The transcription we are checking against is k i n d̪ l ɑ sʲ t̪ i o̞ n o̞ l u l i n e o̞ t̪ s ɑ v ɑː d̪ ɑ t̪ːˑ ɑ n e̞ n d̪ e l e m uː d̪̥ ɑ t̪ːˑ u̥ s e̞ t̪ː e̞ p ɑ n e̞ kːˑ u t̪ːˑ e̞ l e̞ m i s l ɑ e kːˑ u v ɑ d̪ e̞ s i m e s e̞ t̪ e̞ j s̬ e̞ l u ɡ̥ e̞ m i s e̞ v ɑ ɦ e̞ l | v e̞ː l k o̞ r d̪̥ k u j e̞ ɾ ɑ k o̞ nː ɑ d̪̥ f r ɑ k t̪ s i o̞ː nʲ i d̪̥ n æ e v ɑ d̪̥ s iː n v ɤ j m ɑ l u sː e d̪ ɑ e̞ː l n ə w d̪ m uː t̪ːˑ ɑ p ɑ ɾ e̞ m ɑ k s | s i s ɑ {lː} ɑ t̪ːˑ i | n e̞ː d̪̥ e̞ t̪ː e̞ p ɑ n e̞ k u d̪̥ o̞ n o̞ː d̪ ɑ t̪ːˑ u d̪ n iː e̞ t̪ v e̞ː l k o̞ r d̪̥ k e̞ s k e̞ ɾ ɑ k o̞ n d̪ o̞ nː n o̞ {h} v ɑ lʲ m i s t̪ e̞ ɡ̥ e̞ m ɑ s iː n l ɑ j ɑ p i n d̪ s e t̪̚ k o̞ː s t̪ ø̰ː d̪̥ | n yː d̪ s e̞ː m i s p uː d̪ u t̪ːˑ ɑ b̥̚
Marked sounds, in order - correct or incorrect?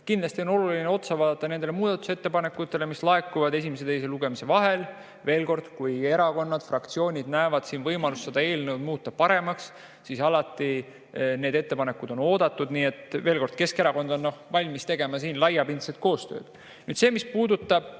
incorrect: l, correct

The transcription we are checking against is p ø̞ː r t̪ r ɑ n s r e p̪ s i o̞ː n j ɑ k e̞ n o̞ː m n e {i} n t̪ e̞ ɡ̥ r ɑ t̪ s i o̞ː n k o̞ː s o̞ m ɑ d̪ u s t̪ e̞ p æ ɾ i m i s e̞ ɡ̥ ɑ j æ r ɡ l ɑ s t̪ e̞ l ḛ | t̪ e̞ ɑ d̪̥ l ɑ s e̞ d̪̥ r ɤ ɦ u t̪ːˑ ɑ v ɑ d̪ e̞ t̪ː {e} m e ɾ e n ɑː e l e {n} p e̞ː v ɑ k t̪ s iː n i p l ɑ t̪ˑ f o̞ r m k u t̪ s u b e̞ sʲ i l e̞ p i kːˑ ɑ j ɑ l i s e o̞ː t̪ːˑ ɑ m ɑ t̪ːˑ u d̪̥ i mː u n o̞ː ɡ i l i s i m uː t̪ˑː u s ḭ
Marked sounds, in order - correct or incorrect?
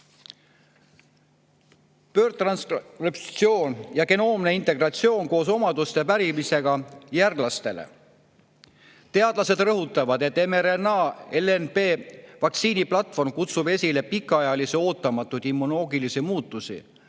correct, correct, correct

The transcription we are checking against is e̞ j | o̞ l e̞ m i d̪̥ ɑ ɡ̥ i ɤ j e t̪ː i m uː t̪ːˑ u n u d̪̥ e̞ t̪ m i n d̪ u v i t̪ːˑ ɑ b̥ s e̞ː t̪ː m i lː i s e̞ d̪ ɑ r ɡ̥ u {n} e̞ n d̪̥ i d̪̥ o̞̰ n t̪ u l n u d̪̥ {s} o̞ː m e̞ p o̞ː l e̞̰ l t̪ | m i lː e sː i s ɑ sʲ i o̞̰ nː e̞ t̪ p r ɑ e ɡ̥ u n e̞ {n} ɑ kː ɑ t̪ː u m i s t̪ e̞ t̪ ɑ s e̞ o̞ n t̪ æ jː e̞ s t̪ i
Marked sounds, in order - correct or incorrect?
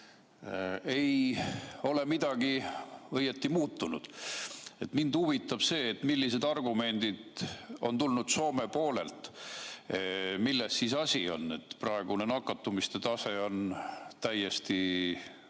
incorrect: m, correct, correct

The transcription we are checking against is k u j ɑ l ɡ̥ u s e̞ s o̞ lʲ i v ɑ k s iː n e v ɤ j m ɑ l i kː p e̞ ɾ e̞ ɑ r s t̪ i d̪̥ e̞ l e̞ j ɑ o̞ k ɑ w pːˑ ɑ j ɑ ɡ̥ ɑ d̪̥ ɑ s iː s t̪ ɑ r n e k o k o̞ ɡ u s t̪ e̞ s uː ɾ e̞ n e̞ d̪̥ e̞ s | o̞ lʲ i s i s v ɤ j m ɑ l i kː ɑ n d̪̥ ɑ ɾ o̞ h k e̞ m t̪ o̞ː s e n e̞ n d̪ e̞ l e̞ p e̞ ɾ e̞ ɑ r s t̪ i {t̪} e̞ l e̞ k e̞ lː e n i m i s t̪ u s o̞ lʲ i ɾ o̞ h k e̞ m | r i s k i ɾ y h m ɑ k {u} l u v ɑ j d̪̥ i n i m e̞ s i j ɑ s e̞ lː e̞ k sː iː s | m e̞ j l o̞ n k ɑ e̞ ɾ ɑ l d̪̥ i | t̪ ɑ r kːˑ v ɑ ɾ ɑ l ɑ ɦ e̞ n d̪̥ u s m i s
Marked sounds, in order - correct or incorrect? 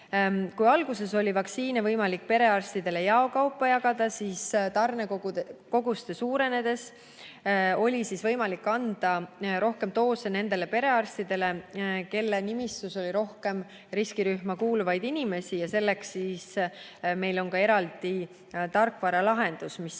incorrect: d̪, incorrect: uː

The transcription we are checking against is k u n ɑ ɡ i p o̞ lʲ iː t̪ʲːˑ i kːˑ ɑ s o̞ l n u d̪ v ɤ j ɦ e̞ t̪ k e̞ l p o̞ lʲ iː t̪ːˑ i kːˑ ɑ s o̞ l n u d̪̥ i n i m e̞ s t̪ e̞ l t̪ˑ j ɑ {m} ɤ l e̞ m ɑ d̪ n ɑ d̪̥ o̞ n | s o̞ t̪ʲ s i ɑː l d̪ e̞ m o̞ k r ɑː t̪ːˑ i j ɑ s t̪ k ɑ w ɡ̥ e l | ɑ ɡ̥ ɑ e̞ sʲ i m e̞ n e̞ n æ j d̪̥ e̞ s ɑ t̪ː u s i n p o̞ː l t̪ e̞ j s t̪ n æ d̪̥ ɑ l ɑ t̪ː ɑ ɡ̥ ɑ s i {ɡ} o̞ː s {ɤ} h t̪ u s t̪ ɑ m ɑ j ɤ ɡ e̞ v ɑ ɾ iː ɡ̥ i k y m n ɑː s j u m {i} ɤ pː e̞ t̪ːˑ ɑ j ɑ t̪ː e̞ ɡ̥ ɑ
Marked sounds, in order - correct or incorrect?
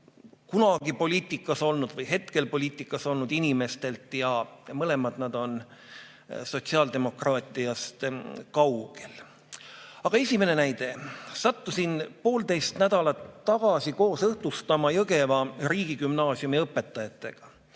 correct, incorrect: k, correct, correct

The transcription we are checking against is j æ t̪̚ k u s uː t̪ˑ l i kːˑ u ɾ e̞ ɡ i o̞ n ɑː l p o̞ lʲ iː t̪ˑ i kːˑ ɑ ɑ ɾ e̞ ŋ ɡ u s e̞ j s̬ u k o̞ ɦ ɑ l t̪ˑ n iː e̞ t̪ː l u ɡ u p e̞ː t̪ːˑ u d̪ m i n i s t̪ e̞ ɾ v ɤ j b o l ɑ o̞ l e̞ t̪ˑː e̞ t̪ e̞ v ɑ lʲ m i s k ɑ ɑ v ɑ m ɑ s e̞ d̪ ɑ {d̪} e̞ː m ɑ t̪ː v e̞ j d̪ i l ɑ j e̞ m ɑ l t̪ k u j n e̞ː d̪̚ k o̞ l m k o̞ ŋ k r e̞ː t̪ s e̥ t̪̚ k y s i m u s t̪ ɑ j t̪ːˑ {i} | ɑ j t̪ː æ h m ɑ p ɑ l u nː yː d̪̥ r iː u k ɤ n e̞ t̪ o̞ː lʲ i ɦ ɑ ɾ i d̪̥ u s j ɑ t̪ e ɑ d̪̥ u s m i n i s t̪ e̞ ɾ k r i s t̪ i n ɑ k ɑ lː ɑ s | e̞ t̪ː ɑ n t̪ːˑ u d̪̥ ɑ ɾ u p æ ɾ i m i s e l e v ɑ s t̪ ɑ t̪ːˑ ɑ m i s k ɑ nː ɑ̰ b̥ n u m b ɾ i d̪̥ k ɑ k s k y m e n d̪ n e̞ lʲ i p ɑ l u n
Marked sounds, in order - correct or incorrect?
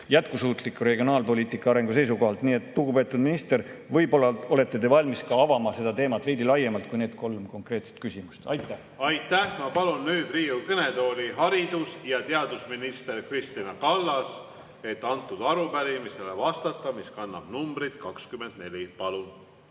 incorrect: t̪, incorrect: æ

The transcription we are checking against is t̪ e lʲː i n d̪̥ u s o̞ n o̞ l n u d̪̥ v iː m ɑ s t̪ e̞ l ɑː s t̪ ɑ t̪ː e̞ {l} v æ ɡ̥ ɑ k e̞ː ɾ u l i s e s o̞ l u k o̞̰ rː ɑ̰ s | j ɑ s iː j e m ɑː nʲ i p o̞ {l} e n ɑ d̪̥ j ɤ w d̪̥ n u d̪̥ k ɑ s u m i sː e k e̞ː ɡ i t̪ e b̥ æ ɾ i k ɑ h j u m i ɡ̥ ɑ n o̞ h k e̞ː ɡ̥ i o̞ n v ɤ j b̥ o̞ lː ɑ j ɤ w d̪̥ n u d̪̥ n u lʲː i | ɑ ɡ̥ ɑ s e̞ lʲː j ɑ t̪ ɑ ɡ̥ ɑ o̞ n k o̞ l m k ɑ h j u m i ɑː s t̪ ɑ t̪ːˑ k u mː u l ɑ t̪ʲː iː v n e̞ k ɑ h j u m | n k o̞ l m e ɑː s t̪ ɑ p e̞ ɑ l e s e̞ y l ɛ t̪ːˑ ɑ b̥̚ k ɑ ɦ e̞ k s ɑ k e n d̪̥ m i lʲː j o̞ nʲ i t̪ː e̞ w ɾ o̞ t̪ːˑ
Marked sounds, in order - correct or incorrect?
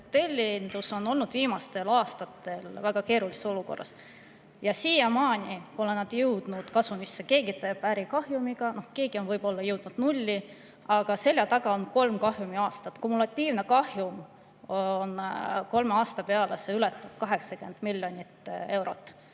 correct, correct

